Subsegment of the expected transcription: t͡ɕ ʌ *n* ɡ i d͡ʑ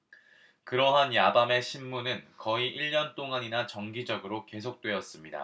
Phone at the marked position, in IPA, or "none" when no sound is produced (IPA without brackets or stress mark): ŋ